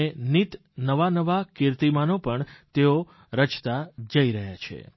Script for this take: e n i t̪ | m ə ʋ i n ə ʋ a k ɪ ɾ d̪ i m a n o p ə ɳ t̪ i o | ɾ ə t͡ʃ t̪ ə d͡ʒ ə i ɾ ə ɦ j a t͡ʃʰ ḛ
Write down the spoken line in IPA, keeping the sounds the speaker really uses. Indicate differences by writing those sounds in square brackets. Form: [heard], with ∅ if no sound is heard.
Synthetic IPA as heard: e n i t̪ | [n] ə ʋ [a] n ə ʋ a k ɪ ɾ [t̪] i m a n o p ə ɳ t̪ [e] o | ɾ ə t͡ʃ t̪ [a] d͡ʒ ə i ɾ ə ɦ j a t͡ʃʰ ḛ